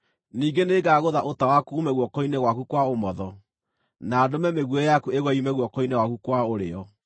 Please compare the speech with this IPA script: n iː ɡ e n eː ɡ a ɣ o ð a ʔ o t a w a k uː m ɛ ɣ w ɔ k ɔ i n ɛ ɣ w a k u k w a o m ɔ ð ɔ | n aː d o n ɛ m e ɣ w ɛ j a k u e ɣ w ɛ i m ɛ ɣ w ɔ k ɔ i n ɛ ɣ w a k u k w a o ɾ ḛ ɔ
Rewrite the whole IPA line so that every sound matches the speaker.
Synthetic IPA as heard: n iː ɡ e n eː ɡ a ɣ o ð a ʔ o t a w a k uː m ɛ ɣ w ɔ k ɔ i n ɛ ɣ w a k u k w a o m ɔ ð ɔ | n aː d o m ɛ m e ɣ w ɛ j a k u e ɣ w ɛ i m ɛ ɣ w ɔ k ɔ i n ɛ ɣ w a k u k w a o ɾ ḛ ɔ